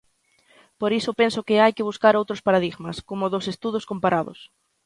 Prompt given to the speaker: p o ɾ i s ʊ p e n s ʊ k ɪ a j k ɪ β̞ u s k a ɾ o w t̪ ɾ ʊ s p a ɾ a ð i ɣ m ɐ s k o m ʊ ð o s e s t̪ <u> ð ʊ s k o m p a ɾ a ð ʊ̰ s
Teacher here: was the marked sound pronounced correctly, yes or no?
yes